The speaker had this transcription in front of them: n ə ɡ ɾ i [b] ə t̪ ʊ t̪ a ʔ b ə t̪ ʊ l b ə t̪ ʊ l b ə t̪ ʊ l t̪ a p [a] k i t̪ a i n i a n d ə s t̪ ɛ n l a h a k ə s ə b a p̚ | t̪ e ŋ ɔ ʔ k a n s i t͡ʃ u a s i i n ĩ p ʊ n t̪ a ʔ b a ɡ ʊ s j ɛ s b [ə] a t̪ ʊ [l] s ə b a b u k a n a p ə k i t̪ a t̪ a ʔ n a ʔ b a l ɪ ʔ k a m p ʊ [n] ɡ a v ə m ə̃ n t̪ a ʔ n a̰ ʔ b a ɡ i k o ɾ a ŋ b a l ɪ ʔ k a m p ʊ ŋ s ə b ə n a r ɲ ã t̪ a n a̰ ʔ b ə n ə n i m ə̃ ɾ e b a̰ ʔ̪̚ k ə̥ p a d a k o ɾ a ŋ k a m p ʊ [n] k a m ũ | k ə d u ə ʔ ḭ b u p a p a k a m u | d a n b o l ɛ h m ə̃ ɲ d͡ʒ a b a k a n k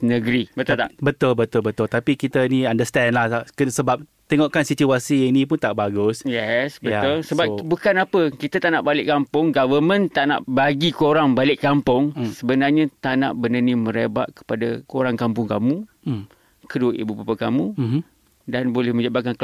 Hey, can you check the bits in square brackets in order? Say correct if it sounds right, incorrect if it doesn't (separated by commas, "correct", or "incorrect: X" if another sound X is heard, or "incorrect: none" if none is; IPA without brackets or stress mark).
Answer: correct, incorrect: i, correct, correct, incorrect: ŋ, incorrect: ŋ